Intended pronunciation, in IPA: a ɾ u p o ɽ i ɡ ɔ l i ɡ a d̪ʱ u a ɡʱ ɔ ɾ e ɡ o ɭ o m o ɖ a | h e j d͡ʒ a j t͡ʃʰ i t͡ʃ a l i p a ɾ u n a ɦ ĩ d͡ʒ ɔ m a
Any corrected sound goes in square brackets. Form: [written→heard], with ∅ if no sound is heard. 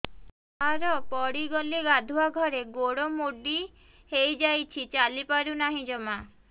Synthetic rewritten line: a ɾ [u→ɔ] p [o→ɔ] ɽ i ɡ ɔ l i ɡ a d̪ʱ u a ɡʱ ɔ ɾ e ɡ o [ɭ→ɽ] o m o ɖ [a→i] | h e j d͡ʒ a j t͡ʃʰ i t͡ʃ a l i p a ɾ u n a ɦ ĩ d͡ʒ ɔ m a